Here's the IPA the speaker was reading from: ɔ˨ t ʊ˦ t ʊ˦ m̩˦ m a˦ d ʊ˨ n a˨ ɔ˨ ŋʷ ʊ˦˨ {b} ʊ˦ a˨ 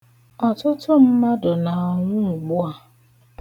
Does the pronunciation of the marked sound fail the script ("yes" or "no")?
yes